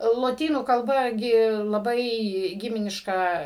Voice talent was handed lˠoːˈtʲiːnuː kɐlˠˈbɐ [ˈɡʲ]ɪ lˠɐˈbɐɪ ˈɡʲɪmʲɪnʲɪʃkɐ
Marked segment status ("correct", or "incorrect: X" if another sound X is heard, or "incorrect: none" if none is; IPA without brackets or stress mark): correct